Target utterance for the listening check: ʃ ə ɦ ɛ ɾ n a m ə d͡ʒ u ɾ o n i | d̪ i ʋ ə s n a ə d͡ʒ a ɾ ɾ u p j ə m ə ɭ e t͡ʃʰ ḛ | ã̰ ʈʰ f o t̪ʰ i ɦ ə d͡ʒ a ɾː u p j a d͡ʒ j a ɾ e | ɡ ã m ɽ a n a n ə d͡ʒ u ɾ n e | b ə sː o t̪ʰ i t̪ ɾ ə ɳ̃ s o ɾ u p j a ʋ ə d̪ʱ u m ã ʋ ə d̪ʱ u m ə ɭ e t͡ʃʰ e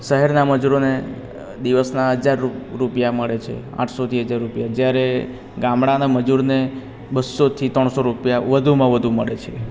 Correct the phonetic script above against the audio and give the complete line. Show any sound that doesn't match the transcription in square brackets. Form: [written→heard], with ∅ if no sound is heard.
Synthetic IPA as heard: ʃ ə ɦ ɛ ɾ n a m ə d͡ʒ u ɾ o n [i→e] | d̪ i ʋ ə s n a ə d͡ʒ a ɾ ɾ u p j [ə→a] m ə ɭ e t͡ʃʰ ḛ | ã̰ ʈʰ [f→s] o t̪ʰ i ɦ ə d͡ʒ a ɾː u p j a d͡ʒ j a ɾ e | ɡ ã m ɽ a n a [n→m] ə d͡ʒ u ɾ n e | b ə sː o t̪ʰ i t̪ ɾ ə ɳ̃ s o ɾ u p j a ʋ ə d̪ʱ u m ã ʋ ə d̪ʱ u m ə ɭ e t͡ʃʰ e